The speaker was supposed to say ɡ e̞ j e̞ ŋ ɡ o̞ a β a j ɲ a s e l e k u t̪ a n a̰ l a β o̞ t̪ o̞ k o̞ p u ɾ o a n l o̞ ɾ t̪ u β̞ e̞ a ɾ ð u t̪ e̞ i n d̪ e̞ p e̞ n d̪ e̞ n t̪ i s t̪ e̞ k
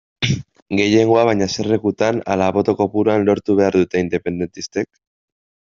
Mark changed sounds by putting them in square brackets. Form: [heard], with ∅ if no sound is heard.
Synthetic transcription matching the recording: ɡ e̞ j e̞ ŋ ɡ o̞ a β a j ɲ a s e [r] e k u t̪ a n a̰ l a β o̞ t̪ o̞ k o̞ p u ɾ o a n l o̞ ɾ t̪ u β̞ e̞ a ɾ ð u t̪ e̞ i n d̪ e̞ p e̞ n d̪ e̞ n t̪ i s t̪ e̞ k